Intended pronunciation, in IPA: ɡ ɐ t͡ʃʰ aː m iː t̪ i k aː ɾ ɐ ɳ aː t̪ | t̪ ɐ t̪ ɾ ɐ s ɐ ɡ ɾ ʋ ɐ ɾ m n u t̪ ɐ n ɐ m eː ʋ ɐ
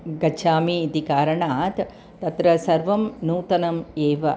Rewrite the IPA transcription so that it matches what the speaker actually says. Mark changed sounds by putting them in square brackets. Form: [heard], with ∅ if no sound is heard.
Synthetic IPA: ɡ ɐ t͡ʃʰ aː m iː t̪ i k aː ɾ ɐ ɳ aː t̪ | t̪ ɐ t̪ ɾ ɐ s ɐ [∅] ɾ ʋ ɐ [∅] m n [uː] t̪ ɐ n ɐ m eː ʋ ɐ